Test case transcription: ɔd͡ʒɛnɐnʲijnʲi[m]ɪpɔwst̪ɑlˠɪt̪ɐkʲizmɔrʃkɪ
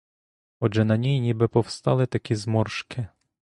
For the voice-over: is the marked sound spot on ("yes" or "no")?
no